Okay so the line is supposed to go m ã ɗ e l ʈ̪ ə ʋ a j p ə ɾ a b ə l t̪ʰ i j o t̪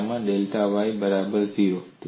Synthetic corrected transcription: m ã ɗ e l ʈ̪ a ʋ a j b ə ɾ a b ə ɾ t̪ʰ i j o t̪